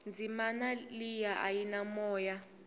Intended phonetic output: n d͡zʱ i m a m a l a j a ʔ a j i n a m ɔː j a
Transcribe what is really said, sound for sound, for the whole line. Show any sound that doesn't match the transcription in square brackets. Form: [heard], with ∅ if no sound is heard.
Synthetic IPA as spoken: n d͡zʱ i m a [n] a l [i] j a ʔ a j i n a m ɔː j a